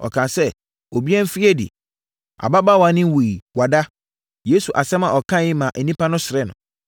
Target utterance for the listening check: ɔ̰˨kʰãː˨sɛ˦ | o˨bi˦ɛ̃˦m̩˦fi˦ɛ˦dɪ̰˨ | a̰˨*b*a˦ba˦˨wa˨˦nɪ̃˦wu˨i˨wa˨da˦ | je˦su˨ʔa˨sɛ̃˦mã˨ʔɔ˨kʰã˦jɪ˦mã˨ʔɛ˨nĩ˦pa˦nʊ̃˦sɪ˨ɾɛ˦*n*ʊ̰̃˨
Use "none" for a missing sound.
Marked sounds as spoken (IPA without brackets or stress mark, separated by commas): b, n